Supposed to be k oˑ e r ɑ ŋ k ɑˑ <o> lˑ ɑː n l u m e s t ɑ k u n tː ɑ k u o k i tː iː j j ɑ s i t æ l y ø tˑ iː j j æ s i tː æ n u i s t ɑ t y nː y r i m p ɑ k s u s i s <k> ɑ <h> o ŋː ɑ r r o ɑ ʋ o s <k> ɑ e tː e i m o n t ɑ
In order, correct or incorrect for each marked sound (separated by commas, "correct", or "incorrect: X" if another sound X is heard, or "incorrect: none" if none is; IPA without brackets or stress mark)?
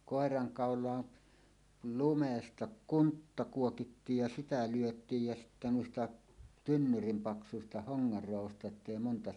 correct, incorrect: t, correct, incorrect: t